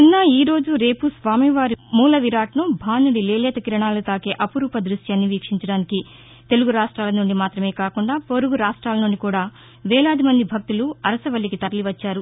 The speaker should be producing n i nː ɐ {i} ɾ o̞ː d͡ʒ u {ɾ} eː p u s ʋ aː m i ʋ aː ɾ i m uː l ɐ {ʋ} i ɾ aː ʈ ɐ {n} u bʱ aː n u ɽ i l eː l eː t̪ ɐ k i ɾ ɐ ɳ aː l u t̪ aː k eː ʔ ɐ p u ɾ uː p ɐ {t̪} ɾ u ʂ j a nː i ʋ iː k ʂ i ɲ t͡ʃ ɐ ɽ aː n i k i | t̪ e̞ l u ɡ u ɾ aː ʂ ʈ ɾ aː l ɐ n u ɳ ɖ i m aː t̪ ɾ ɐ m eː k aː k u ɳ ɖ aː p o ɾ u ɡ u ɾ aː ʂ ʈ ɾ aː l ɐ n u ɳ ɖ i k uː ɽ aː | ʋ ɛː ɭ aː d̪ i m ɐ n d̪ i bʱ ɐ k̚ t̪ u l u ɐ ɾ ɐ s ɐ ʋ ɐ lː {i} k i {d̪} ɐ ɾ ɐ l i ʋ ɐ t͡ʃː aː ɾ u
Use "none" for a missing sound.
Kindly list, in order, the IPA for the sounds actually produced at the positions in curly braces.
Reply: iː, ɾ, ʋ, n, d̪, i, t̪

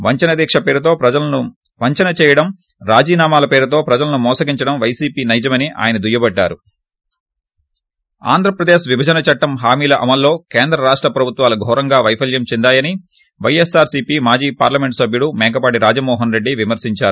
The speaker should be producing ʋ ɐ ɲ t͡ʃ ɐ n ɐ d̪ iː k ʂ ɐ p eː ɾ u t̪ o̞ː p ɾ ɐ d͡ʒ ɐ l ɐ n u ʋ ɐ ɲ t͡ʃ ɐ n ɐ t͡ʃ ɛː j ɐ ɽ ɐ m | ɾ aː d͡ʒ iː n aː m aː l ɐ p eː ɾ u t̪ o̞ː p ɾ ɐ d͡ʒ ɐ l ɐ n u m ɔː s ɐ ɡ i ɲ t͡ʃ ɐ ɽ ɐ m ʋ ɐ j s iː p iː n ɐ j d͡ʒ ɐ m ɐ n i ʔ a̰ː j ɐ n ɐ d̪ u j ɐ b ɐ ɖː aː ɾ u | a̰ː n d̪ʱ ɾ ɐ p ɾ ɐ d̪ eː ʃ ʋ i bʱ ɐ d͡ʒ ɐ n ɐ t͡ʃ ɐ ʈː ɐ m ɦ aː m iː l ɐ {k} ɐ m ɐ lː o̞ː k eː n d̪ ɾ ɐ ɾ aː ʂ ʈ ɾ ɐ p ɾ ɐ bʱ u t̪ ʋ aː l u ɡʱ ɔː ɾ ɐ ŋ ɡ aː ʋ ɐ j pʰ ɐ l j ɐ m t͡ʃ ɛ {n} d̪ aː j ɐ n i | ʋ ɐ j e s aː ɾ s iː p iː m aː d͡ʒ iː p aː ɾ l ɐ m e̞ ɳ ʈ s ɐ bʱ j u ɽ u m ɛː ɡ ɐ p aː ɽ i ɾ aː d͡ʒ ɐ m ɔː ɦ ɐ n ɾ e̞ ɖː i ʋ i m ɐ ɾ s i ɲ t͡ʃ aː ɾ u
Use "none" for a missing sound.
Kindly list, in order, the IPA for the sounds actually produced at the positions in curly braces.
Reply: ʔ, n

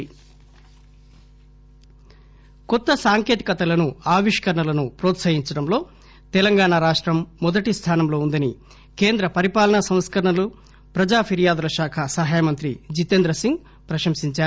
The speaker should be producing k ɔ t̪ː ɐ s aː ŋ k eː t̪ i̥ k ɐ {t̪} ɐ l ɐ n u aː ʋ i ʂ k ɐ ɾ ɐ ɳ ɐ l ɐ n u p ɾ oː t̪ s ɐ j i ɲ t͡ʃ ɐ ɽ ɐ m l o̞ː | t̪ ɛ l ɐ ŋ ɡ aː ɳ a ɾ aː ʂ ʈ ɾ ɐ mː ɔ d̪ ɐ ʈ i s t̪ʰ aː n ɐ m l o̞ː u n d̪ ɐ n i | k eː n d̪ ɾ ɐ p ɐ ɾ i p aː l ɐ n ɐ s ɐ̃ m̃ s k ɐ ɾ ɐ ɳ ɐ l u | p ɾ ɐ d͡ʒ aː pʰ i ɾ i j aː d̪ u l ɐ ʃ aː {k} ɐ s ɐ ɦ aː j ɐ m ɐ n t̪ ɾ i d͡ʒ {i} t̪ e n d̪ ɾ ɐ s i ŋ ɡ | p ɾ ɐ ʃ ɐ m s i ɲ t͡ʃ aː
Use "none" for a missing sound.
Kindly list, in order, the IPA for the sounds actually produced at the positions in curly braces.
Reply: t̪, kʰ, i

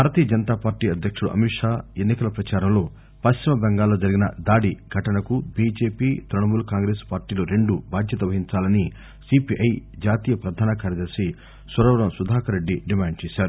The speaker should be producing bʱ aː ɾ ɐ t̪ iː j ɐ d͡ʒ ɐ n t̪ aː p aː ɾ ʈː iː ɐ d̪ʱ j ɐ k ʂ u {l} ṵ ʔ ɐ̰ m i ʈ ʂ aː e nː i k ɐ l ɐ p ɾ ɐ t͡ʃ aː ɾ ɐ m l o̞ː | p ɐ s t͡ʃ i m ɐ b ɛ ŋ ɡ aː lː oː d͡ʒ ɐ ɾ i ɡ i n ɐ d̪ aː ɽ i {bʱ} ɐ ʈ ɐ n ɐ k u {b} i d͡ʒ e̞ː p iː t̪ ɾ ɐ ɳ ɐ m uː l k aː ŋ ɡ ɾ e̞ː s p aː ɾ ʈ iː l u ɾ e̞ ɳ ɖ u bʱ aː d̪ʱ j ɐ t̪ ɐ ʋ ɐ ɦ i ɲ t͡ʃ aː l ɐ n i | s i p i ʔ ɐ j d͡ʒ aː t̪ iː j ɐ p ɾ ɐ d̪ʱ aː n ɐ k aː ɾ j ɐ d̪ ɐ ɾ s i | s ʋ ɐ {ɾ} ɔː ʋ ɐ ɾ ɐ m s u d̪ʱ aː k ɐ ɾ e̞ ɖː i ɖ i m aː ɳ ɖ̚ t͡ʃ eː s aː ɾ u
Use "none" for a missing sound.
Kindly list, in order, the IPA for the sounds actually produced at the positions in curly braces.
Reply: ɽ, ɡʱ, b, ɾ

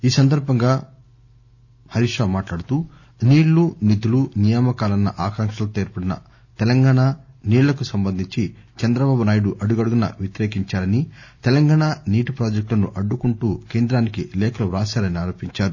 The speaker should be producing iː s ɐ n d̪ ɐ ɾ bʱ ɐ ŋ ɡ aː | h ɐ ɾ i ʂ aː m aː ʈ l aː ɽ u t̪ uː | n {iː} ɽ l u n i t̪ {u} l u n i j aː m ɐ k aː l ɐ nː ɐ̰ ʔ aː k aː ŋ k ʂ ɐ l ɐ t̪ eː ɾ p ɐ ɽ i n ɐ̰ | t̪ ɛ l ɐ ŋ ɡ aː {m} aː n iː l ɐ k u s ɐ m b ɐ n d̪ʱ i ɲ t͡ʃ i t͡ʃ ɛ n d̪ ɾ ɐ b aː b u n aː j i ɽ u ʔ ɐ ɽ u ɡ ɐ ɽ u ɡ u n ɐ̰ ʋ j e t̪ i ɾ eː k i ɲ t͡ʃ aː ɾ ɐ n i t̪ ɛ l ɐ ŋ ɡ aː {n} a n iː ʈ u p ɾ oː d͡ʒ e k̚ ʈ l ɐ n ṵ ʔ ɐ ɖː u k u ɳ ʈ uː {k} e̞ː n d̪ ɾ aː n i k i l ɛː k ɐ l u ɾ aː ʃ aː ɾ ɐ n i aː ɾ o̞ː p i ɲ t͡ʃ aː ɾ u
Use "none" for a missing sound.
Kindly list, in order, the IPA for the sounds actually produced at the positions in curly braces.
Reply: iː, u, ɳ, ɳ, k

